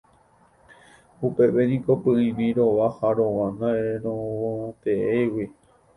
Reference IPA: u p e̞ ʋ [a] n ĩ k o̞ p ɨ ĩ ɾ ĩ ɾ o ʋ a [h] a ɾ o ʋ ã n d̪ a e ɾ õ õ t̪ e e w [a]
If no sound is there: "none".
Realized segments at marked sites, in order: e, h, i

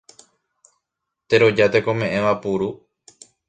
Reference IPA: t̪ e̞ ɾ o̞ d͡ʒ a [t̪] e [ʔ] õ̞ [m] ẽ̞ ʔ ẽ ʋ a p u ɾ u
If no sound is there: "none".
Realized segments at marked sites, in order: t̪, k, m

